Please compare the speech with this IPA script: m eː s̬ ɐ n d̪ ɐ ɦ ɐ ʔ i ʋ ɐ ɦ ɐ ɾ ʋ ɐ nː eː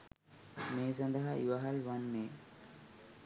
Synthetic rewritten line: m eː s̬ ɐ n d̪ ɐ ɦ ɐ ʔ i ʋ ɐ ɦ ɐ l ʋ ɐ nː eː

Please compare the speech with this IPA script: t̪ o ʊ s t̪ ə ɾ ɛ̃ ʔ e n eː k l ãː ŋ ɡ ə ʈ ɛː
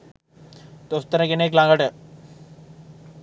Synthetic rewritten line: t̪ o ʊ s t̪ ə ɾ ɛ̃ k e n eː k l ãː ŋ ɡ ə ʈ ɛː

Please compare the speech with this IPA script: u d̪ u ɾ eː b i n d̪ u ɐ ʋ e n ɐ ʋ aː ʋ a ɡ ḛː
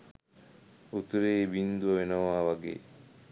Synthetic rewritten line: u t̪ u ɾ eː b i n d̪ u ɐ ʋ e n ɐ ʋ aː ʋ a ɡ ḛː

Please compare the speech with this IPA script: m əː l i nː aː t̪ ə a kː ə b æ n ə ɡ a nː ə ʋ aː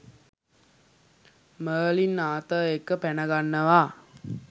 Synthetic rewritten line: m əː l i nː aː t̪ ə e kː ə p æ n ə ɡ a nː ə ʋ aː

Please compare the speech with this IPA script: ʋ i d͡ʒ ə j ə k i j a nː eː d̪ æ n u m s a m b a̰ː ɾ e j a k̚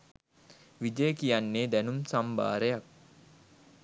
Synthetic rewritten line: ʋ i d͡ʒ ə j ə k i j a nː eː d̪ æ n u m s a m b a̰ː ɾ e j a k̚

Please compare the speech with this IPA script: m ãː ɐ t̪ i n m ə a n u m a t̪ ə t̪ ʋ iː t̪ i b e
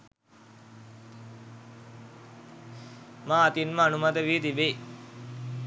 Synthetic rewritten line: m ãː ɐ t̪ i n m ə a n u m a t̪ ə ʋ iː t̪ i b e

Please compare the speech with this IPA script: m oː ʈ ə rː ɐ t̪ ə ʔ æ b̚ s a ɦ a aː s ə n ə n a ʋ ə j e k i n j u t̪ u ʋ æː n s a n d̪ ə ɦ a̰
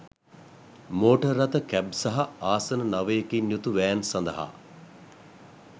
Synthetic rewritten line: m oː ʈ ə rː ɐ t̪ ə k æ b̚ s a ɦ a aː s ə n ə n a ʋ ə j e k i n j u t̪ u ʋ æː n s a n d̪ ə ɦ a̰

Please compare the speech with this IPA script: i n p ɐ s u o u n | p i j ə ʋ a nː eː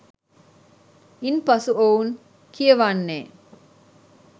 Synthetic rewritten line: i n p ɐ s u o u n | k i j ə ʋ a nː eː

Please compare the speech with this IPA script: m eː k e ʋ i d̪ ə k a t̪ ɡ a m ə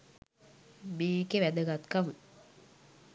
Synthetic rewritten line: m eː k e ʋ æ d̪ ə ɡ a t̪ k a m ə

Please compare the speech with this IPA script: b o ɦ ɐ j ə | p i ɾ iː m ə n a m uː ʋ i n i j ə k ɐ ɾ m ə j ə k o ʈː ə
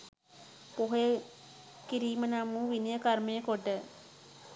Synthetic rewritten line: p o ɦ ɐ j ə | k i ɾ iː m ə n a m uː ʋ i n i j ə k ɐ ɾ m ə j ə k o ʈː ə

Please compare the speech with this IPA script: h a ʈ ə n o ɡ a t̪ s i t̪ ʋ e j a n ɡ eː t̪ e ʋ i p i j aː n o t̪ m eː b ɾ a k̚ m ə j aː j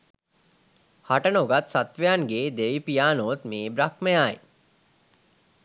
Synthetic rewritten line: h a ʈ ə n o ɡ a t̪ s a t̪ ʋ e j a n ɡ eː d̪ e ʋ i p i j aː n o t̪ m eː b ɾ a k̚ m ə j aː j

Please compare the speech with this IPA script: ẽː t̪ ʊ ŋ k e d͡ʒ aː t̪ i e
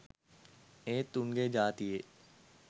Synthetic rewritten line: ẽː t̪ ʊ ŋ ɡ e d͡ʒ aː t̪ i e

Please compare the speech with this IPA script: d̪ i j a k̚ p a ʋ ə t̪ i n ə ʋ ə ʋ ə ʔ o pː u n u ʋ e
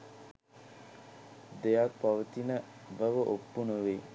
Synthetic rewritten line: d̪ e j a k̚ p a ʋ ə t̪ i n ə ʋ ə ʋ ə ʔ o pː u n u ʋ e

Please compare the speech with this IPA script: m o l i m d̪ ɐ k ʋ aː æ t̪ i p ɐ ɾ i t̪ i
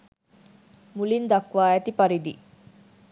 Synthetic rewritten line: m u l i n d̪ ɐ k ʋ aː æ t̪ i p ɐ ɾ i d̪ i

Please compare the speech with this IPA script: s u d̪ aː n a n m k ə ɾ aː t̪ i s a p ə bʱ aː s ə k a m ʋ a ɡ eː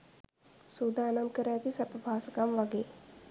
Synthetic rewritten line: s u d̪ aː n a m k ə ɾ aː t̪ i s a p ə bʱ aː s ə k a m ʋ a ɡ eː

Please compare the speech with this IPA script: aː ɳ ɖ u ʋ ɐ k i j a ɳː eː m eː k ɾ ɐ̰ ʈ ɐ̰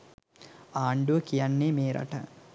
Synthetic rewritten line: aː ɳ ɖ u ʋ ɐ k i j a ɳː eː m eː ɾ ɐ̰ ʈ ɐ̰

